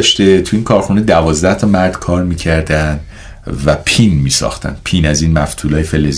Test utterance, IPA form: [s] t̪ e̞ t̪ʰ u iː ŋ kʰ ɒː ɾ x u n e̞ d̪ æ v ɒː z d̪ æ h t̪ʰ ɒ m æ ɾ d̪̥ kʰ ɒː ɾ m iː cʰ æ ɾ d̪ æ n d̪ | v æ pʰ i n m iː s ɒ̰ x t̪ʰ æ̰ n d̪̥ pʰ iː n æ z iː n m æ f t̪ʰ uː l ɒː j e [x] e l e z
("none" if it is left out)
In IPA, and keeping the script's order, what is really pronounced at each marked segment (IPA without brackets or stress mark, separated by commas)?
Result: ʃ, f